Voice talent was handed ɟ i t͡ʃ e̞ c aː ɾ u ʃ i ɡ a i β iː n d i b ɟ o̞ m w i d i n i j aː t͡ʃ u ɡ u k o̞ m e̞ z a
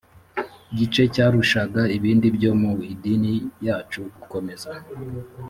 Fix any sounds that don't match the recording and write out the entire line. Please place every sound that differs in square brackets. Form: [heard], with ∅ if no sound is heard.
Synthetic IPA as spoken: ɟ i t͡ʃ e̞ c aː ɾ u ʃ [a] ɡ a i β iː n d i b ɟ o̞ m [u] i d i n i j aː t͡ʃ u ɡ u k o̞ m e̞ z a

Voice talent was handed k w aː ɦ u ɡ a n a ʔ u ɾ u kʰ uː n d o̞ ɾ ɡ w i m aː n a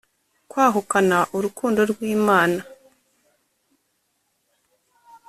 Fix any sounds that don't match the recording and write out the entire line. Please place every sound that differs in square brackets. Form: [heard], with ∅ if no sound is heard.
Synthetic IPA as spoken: k w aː ɦ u [k] a n a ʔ u ɾ u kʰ uː n d o̞ ɾ ɡ w [iː] m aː n a

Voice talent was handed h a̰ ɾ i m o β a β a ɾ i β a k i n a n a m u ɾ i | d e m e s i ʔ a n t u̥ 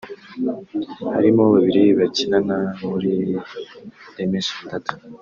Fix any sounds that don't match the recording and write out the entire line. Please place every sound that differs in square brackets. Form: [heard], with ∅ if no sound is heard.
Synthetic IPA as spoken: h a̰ ɾ i m o β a β [i] ɾ i β a [c] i n a n a m u ɾ i | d e m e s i [t] a [∅] t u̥

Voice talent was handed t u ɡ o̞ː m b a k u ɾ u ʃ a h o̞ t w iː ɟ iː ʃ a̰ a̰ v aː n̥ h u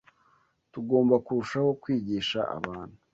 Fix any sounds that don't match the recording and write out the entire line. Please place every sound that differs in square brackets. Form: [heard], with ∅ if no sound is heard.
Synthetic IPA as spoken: t u ɡ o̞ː m b a k u ɾ u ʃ a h o̞ [k] w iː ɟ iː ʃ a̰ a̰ [β] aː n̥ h u

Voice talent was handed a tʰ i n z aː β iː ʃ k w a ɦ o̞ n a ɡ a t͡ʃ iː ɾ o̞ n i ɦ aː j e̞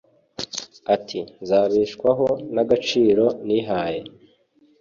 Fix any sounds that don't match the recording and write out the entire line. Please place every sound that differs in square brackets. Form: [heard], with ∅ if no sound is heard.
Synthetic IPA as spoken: a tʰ i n z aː β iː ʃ k w a ɦ o̞ n a ɡ a t͡ʃ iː ɾ o̞ n i ɦ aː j e̞

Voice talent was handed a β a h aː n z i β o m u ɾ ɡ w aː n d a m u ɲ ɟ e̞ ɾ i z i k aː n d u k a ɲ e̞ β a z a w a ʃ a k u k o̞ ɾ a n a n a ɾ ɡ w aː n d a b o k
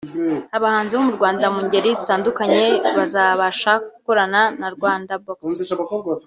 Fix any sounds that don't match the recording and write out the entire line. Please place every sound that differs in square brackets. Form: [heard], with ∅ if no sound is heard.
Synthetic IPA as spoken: a β a h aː n z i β o m u ɾ ɡ w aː n d a m u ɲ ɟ e̞ ɾ i z i [t] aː n d u k a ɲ e̞ β a z a [β] a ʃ a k u k o̞ ɾ a n a n a ɾ ɡ w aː n d a b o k

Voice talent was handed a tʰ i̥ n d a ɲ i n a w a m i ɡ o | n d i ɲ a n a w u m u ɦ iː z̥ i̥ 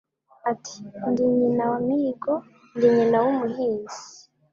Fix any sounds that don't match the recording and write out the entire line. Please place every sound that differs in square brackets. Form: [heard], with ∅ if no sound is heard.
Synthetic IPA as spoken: a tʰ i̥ n d [i] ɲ i n a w a m i ɡ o | n d i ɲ [i] n a w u m u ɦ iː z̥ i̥

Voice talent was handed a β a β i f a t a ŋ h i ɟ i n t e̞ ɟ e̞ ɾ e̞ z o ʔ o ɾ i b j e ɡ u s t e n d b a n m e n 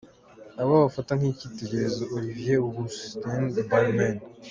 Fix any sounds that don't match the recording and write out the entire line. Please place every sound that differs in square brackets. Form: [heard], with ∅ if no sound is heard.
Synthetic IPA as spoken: a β a β [a] f a t a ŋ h i [c] i [∅] t e̞ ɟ e̞ ɾ e̞ z o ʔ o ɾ i [v] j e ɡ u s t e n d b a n m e n

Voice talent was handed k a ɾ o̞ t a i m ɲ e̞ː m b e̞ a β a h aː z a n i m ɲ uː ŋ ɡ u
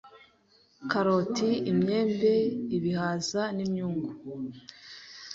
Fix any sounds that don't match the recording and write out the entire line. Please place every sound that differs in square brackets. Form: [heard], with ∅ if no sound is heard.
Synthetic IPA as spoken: k a ɾ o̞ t [i] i m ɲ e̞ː m b e̞ [i] β [i] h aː z a n i m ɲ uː ŋ ɡ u

